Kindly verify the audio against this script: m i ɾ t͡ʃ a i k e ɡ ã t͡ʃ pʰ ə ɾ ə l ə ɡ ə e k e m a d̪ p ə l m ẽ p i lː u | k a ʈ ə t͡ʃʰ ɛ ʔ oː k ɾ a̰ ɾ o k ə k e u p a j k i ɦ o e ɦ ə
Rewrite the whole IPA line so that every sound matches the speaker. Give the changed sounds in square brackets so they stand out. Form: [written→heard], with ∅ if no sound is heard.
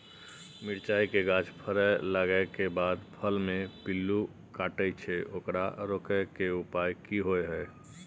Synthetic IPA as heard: m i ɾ t͡ʃ a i k e ɡ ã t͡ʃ pʰ ə ɾ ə l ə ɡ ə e k e [m→b] a d̪ [p→pʰ] ə l m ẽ p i lː u | k a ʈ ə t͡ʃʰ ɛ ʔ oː k ɾ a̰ ɾ o k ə k e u p a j k i ɦ o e ɦ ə